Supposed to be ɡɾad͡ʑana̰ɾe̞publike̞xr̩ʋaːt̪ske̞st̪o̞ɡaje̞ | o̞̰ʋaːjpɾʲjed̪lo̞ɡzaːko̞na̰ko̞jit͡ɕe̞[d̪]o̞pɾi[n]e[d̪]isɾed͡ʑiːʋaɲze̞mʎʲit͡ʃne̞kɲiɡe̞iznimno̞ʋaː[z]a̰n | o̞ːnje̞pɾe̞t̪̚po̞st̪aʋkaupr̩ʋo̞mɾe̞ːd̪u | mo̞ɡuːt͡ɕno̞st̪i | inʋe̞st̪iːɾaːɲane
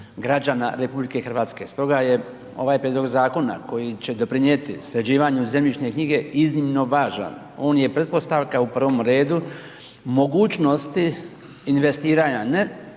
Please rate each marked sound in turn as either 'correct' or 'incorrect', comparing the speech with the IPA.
correct, incorrect: ɲ, incorrect: t̪, incorrect: ʒ

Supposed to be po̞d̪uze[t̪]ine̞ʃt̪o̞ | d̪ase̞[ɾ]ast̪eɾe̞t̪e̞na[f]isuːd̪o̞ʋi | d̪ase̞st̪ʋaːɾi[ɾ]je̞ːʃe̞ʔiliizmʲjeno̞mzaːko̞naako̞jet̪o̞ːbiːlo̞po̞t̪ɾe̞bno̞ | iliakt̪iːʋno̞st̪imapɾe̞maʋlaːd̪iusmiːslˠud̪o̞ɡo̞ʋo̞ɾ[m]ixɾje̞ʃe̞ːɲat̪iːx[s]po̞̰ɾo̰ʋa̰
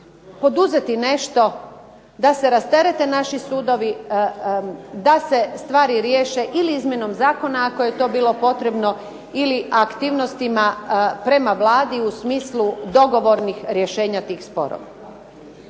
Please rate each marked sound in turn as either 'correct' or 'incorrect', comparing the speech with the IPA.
correct, correct, incorrect: ʃ, correct, incorrect: n, correct

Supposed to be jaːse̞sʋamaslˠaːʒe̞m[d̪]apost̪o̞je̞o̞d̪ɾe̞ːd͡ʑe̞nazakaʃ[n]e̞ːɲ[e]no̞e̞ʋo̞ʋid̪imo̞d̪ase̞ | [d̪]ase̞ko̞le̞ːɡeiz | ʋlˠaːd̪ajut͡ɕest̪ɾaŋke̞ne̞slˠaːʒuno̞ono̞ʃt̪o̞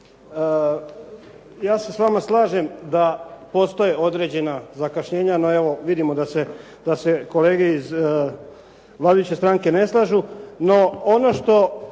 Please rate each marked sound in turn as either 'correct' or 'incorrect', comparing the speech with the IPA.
correct, incorrect: ɲ, incorrect: a, correct

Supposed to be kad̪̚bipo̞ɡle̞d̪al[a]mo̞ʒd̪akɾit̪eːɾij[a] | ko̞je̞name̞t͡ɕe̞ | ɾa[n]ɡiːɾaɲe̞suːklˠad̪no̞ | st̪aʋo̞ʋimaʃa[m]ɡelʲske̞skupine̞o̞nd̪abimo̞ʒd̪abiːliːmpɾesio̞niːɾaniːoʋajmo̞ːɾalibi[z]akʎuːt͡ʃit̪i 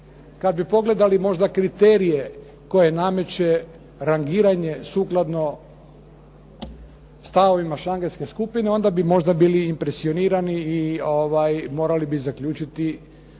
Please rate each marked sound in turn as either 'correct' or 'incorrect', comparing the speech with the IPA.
incorrect: i, incorrect: e, incorrect: ŋ, incorrect: ŋ, correct

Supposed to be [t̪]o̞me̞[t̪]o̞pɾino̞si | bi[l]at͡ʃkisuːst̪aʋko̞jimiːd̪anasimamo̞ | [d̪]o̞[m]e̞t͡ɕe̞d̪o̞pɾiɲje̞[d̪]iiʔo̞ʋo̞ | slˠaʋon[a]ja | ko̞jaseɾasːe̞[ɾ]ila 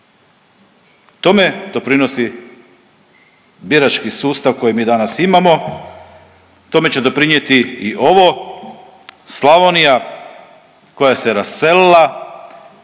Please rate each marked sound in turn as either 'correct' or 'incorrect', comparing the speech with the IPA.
correct, incorrect: d̪, incorrect: ɾ, incorrect: t̪, correct, incorrect: t̪, incorrect: i, incorrect: l

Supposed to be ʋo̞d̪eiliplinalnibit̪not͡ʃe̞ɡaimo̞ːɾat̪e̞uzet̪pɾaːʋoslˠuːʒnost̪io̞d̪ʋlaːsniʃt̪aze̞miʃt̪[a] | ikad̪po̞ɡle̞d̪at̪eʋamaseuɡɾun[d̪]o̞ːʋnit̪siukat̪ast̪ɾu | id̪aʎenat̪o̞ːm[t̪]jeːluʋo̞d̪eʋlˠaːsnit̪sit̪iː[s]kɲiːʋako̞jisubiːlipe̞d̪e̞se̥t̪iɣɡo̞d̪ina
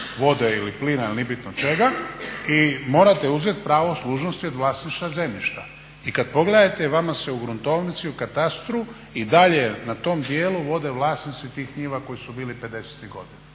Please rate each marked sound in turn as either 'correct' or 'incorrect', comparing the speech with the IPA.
correct, incorrect: t̪, incorrect: d̪, incorrect: x

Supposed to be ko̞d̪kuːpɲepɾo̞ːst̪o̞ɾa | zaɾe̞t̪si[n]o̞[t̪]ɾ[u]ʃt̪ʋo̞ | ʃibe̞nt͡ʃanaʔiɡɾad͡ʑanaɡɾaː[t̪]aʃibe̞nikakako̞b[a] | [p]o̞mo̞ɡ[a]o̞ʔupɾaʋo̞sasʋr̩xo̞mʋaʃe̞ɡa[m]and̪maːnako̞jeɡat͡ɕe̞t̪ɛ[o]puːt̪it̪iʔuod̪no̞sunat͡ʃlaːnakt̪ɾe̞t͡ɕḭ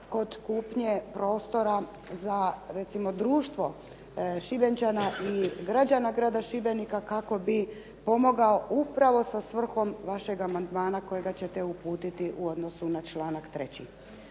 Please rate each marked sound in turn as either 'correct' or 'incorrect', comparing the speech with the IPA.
incorrect: m, incorrect: d̪, incorrect: uː, incorrect: d̪, incorrect: i, correct, correct, correct, incorrect: u

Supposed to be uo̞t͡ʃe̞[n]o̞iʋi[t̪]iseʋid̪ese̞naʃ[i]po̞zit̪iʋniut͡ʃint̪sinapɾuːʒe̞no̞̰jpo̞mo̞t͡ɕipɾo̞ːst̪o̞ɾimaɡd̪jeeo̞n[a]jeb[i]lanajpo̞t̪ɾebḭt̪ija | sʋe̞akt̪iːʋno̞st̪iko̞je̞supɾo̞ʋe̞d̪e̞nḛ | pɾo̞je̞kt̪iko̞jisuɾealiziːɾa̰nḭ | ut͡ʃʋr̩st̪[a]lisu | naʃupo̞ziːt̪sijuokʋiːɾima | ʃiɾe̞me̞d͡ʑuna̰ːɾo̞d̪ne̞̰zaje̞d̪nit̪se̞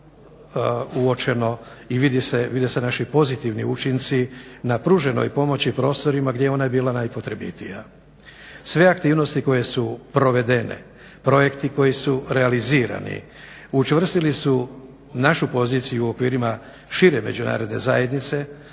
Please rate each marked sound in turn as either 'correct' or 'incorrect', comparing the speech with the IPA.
correct, incorrect: d̪, correct, correct, incorrect: iː, incorrect: i

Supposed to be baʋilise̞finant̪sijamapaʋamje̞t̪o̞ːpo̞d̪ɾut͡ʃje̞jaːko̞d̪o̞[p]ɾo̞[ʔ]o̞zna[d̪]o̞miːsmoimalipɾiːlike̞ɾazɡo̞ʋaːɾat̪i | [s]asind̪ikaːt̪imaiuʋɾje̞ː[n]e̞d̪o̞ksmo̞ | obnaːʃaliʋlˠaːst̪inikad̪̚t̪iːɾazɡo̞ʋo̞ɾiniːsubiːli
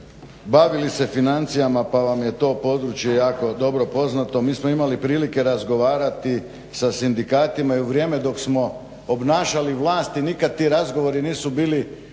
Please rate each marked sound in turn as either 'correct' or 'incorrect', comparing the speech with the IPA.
incorrect: b, incorrect: p, incorrect: t̪, correct, incorrect: m

